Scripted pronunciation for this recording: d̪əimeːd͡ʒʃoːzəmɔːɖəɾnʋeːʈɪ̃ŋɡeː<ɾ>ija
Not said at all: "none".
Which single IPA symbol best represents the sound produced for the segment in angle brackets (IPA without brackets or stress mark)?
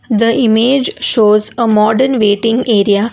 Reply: ɾ